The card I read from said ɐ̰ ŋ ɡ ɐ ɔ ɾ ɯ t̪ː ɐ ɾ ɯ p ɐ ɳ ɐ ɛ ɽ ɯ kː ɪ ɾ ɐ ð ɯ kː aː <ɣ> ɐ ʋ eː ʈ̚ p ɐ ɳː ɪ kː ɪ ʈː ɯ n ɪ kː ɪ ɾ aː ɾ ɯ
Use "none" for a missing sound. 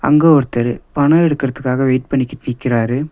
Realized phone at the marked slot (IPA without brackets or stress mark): ɣ